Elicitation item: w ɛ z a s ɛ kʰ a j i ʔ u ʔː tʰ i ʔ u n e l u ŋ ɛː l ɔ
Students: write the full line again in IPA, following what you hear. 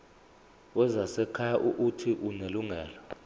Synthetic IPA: w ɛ z a s ɛ kʰ a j a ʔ u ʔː tʰ i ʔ u n e l u ŋ ɛː l ɔ